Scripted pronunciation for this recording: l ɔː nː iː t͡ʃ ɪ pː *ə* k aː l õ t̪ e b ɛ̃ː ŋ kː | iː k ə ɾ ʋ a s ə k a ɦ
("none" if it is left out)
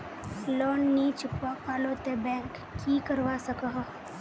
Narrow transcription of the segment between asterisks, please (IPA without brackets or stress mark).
a